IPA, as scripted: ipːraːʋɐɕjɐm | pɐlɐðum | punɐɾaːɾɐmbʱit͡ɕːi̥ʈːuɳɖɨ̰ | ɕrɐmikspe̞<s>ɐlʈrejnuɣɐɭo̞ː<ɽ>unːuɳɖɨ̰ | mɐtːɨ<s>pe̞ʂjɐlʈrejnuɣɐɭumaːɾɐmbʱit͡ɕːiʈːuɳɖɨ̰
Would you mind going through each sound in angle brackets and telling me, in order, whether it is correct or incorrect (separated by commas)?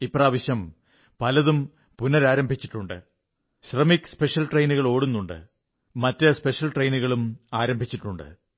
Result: incorrect, correct, correct